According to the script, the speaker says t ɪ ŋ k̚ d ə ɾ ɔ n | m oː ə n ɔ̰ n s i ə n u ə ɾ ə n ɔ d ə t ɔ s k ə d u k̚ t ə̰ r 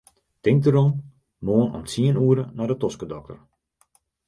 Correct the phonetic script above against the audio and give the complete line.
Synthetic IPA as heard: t ɪ ŋ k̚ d ə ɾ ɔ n | m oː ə n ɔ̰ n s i ə n u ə ɾ ə n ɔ d ə t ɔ s k ə d ɔ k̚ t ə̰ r